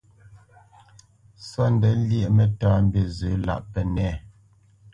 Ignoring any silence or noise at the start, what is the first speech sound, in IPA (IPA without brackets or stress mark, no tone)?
s